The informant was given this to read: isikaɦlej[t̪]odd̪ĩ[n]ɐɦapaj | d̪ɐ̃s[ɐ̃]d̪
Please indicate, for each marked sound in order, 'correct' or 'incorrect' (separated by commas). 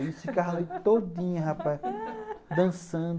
correct, incorrect, correct